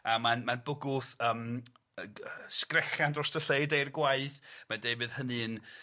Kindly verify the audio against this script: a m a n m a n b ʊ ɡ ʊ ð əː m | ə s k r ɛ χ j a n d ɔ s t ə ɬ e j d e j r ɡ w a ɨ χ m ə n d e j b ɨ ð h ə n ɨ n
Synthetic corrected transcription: a m a n m a n b ʊ ɡ ʊ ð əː m | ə s k r ɛ χ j a n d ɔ s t ə ɬ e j d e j r ɡ w a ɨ θ m a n d e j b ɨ ð h ə n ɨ n

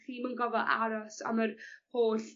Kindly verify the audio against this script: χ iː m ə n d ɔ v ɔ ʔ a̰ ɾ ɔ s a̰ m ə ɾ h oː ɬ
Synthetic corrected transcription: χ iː m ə n ɡ ɔ v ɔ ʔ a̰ ɾ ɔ s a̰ m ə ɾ h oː ɬ

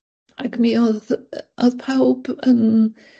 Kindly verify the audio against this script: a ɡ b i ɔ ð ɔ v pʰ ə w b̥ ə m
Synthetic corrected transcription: a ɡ m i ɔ ð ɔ ð pʰ a w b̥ ə n

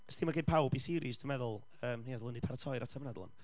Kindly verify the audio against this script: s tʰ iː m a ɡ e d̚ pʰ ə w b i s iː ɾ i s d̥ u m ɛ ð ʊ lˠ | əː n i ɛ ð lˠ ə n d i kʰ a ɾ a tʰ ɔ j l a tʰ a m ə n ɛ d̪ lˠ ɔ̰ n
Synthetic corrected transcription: s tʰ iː m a ɡ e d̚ pʰ a w b i s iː ɾ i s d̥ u m ɛ ð ʊ lˠ | əː m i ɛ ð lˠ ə n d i pʰ a ɾ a tʰ ɔ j ɾ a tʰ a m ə n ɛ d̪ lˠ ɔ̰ n

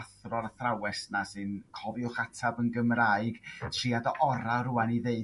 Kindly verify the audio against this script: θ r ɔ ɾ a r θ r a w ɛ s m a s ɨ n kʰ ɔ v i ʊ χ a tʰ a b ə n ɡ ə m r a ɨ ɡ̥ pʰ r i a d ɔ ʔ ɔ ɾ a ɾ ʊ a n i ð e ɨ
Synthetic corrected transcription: θ r ɔ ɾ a θ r a w ɛ s n a s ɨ n kʰ ɔ v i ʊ χ a tʰ a b ə n ɡ ə m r a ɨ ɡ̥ tʰ r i a d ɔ ʔ ɔ ɾ a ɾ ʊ a n i ð e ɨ

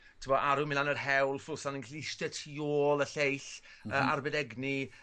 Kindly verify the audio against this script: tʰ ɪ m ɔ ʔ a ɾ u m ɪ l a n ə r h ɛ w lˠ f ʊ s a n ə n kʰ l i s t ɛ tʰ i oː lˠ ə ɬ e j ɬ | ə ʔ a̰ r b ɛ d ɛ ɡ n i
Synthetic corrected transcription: tʰ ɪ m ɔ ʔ a ɾ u m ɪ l a n ə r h ɛ w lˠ f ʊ s a n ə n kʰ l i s t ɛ tʰ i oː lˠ ə ɬ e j ɬ | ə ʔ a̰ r b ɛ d ɛ ɡ n i

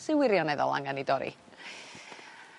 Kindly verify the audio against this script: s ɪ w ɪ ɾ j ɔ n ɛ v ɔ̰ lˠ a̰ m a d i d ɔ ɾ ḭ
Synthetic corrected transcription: s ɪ w ɪ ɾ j ɔ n ɛ ð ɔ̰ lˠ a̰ ŋ a n i d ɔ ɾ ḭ

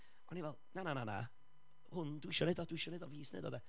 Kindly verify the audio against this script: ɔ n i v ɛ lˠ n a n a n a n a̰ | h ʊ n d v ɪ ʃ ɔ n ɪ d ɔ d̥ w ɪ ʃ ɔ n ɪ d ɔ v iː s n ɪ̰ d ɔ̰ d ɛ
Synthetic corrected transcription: ɔ n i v ɛ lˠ n a n a n a n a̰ | h ʊ n d w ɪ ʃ ɔ n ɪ d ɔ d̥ w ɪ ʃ ɔ n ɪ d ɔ v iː s n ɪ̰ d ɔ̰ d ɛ

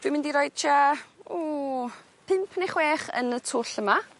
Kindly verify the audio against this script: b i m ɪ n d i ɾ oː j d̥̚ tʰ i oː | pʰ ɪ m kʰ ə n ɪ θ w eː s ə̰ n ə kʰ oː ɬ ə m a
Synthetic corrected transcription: v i m ɪ n d i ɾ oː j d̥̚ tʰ a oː | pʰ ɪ m pʰ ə n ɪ χ w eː χ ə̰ n ə tʰ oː ɬ ə m a

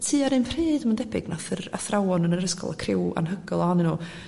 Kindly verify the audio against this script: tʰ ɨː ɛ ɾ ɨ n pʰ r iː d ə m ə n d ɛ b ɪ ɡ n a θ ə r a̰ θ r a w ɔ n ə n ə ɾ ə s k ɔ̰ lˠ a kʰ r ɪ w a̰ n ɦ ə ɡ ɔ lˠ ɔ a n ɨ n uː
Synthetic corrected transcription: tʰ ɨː a ɾ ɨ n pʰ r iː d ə m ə n d ɛ b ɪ ɡ n a θ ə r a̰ θ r a w ɔ n ə n ə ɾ ə s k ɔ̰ lˠ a kʰ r ɪ w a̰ n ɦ ə ɡ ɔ lˠ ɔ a n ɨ n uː

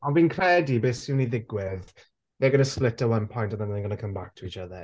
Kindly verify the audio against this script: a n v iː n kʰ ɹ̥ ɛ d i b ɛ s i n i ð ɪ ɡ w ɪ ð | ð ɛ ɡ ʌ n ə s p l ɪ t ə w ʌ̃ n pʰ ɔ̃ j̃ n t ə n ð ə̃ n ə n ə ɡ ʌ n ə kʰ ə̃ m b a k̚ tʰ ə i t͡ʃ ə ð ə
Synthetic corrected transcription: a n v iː n kʰ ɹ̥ ɛ d i b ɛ s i n i ð ɪ ɡ w ɪ ð | ð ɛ ɡ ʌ n ə s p l ɪ t ə w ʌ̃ n pʰ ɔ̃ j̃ n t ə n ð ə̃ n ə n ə ɡ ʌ n ə kʰ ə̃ m b a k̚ tʰ ə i t͡ʃ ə ð ə

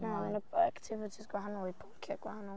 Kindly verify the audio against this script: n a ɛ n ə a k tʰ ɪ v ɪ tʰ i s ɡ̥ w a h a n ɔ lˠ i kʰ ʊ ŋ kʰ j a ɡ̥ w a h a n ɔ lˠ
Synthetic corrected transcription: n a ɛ n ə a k tʰ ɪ v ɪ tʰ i s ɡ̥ w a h a n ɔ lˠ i pʰ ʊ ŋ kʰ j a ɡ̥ w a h a n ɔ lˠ

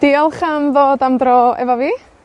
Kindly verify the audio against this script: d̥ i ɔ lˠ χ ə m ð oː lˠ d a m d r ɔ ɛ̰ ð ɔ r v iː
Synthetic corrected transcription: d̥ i ɔ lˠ χ a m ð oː d a m d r ɔ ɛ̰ v ɔ v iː

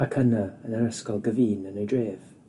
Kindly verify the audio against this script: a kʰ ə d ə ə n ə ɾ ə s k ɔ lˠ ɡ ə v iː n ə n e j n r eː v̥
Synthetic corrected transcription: a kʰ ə n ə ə n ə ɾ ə s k ɔ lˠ ɡ ə v iː n ə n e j d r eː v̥

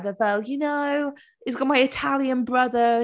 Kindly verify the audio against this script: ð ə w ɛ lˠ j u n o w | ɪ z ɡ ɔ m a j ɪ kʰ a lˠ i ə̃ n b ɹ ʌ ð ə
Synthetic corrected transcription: ð ə v ɛ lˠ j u n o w | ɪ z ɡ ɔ m a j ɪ tʰ a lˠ j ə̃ n b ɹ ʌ ð ə

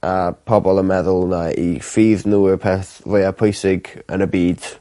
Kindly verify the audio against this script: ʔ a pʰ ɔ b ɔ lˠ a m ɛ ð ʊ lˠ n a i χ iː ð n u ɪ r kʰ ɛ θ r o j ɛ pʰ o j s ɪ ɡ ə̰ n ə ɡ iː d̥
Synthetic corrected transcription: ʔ a pʰ ɔ b ɔ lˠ ə m ɛ ð ʊ lˠ n a i f iː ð n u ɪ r pʰ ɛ θ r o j a pʰ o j s ɪ ɡ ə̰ n ə b iː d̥

